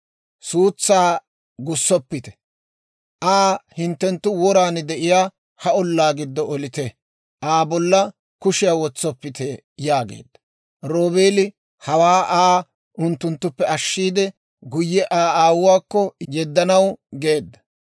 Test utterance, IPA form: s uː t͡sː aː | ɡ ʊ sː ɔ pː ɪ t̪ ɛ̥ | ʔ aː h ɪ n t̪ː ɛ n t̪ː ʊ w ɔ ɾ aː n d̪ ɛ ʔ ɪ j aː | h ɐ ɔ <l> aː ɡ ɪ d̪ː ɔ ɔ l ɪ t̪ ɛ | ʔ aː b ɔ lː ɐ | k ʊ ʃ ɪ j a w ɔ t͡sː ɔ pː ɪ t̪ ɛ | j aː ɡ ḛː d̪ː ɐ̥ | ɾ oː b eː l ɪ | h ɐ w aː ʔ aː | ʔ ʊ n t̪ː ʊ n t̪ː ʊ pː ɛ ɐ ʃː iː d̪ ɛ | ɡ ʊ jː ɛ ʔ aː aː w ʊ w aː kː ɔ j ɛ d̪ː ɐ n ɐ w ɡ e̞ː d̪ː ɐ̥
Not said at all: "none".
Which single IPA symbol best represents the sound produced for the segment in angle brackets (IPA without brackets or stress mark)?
lː